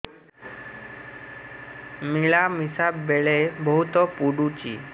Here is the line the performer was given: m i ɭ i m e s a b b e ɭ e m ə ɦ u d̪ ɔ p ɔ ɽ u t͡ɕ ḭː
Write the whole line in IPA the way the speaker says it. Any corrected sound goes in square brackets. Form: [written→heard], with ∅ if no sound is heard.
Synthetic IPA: m i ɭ [i→a] m [e→i] s a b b e ɭ e [m→b] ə ɦ u [d̪→t̪] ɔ p [ɔ→u] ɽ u t͡ɕ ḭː